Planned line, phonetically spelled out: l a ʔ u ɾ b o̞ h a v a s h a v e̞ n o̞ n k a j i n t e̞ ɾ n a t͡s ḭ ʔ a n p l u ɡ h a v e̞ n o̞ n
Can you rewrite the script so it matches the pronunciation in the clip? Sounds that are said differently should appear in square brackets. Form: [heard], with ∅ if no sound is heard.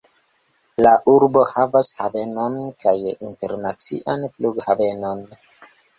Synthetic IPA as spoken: l a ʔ u ɾ b o̞ h a v a s h a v e̞ n o̞ n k a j i n t e̞ ɾ n a t͡s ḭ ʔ a n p l u ɡ h a v e̞ n o̞ n